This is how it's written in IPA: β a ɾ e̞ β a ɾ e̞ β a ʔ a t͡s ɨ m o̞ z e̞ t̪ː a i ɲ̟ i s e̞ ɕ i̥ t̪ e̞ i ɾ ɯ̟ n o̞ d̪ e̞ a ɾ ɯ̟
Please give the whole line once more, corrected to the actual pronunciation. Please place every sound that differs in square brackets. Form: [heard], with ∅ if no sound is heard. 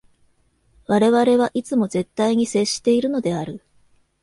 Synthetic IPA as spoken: β a ɾ e̞ β a ɾ e̞ β a ʔ [i] t͡s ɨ m o̞ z e̞ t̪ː a i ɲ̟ i s e̞ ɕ i̥ t̪ e̞ i ɾ ɯ̟ n o̞ d̪ e̞ a ɾ ɯ̟